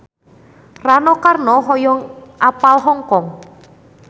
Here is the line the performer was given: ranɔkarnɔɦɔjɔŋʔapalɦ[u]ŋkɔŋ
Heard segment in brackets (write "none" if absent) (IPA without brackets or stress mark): ɔ